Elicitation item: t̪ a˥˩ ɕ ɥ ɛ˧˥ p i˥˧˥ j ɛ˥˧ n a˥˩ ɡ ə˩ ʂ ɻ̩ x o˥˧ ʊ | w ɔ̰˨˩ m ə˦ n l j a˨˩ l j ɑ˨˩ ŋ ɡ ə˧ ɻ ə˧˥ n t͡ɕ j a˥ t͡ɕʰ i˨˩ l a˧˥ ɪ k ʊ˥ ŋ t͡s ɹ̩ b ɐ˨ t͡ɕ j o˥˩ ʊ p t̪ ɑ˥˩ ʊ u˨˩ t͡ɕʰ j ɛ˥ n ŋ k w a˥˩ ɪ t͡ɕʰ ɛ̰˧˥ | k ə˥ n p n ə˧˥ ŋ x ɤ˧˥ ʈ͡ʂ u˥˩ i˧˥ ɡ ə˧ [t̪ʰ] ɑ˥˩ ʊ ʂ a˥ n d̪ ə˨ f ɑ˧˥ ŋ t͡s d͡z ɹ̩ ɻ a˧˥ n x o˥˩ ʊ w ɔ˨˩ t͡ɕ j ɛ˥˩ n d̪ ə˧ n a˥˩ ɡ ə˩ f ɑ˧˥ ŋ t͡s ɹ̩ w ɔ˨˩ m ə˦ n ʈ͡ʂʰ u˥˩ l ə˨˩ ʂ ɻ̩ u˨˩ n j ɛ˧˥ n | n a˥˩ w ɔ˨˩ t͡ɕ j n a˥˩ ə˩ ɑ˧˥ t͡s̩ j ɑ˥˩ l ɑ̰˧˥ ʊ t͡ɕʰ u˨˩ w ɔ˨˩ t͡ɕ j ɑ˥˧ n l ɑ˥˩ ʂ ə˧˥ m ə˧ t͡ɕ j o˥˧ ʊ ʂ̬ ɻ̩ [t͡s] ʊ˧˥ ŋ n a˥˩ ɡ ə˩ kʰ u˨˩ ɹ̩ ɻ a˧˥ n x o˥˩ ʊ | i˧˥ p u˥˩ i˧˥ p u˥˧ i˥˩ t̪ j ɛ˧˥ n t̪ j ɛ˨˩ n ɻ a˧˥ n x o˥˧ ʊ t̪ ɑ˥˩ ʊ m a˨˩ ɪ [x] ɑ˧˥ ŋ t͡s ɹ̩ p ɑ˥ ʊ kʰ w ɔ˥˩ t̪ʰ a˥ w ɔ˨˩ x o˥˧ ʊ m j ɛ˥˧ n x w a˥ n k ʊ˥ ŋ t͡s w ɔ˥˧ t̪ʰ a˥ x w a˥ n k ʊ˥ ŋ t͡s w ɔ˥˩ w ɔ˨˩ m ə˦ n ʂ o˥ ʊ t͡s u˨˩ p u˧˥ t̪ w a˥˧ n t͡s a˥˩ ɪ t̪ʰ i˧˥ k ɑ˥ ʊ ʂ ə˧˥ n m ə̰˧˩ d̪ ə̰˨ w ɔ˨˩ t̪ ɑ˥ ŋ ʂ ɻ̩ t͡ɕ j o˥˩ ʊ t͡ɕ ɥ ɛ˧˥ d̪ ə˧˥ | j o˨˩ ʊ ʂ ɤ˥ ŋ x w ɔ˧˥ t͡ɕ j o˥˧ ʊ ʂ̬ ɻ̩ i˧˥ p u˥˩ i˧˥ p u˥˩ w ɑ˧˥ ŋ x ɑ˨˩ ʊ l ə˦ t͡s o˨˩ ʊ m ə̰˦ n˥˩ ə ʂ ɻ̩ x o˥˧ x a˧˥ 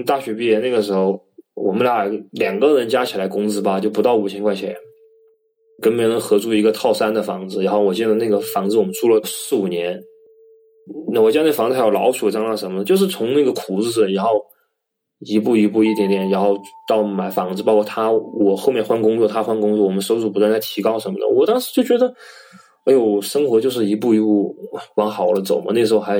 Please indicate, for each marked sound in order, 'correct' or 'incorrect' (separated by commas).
correct, incorrect, incorrect